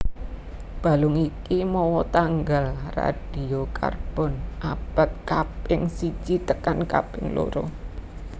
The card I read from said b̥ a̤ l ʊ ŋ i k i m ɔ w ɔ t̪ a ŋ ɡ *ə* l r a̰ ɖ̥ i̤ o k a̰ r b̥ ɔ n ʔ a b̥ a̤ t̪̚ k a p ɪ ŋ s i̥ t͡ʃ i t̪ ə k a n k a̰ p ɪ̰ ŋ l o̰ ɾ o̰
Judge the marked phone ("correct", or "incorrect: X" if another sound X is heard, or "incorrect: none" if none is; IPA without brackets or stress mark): incorrect: a